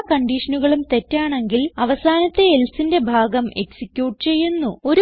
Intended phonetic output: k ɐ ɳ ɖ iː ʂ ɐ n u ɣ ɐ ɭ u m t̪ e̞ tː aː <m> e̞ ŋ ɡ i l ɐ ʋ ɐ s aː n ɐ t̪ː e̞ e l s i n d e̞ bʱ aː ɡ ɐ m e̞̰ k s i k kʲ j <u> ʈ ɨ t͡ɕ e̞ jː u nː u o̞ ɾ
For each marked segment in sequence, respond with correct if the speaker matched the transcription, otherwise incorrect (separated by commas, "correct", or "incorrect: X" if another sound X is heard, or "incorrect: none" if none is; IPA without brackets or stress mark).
incorrect: ɳ, incorrect: uː